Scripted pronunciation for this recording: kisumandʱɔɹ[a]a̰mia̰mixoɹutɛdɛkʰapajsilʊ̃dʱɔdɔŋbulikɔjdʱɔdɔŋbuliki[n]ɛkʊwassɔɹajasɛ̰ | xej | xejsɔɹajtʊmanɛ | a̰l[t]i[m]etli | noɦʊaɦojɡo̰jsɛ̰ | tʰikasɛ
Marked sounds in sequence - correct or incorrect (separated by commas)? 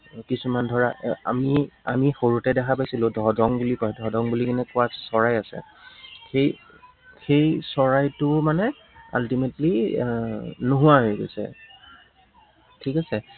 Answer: correct, correct, correct, correct